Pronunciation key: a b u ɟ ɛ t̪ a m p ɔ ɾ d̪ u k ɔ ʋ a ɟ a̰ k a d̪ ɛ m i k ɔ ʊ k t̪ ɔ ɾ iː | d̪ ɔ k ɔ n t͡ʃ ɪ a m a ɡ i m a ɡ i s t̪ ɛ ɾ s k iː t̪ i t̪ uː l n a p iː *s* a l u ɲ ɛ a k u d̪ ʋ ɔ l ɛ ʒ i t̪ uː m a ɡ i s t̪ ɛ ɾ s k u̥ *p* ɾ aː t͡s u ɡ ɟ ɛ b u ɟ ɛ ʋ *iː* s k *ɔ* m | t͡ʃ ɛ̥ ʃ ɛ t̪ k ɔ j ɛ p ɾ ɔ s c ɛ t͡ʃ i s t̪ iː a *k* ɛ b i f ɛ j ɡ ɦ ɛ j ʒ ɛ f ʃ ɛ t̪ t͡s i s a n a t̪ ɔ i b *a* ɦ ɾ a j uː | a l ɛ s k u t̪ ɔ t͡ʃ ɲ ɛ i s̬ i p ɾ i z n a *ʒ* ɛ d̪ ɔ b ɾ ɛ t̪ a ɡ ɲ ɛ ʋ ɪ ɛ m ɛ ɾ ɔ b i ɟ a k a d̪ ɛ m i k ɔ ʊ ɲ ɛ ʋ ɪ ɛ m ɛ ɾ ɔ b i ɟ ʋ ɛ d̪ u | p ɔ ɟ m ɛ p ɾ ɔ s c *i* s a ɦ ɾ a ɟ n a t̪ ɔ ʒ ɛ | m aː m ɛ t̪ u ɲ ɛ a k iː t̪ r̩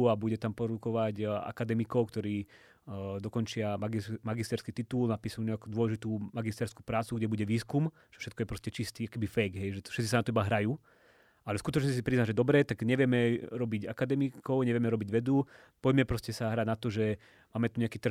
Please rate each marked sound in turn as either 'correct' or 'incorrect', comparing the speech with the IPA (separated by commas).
correct, correct, correct, incorrect, correct, correct, correct, incorrect